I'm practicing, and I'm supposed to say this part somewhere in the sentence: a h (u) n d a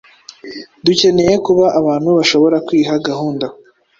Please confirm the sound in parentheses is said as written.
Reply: no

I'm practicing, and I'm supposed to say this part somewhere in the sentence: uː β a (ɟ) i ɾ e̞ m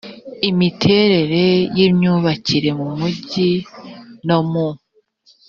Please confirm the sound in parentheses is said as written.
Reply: no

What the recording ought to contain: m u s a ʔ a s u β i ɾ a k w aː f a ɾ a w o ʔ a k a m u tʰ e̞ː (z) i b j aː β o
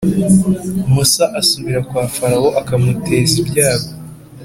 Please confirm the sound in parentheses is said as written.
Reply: yes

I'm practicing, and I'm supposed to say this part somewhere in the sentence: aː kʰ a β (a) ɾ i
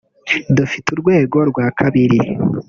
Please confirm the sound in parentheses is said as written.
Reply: no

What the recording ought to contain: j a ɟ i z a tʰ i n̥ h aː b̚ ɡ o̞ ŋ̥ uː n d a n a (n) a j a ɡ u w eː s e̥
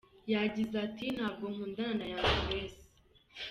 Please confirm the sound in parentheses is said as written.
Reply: yes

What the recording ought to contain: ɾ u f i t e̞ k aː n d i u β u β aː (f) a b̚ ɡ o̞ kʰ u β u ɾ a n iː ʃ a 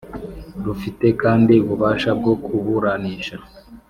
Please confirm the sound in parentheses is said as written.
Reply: no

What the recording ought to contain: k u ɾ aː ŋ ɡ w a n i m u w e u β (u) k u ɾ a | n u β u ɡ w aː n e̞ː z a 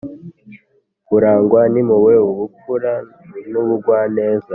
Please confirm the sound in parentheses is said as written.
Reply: yes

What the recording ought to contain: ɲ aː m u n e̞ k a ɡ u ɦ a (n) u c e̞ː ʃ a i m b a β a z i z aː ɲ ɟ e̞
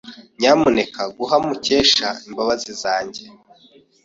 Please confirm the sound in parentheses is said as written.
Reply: no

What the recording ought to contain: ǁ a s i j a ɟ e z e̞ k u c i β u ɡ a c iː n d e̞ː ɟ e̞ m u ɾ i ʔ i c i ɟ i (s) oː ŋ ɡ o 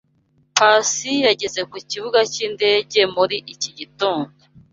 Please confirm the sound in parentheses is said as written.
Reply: no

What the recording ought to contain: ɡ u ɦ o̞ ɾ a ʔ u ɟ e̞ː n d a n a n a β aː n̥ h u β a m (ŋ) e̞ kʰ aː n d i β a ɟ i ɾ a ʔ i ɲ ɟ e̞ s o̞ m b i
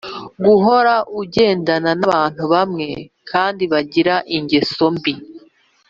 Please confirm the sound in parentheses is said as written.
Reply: yes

